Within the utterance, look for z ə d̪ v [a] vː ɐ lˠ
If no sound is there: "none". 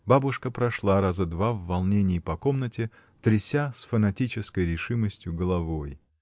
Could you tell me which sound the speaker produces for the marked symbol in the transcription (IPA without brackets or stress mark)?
a